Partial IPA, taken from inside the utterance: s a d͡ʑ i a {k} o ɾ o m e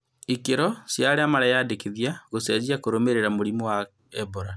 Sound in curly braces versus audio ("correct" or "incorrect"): correct